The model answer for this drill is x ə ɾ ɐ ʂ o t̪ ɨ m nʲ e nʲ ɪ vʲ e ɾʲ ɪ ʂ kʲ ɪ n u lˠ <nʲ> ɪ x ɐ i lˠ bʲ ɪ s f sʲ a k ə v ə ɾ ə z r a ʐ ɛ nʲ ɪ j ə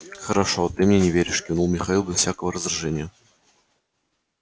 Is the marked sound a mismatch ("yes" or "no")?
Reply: yes